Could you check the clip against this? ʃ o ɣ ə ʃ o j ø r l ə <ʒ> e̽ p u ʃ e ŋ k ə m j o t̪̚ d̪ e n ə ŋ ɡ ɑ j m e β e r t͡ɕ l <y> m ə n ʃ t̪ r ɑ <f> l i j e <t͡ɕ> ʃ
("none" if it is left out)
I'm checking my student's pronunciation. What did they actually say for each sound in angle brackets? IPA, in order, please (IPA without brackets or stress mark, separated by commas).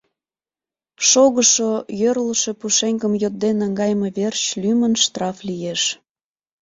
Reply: ʃ, y, f, none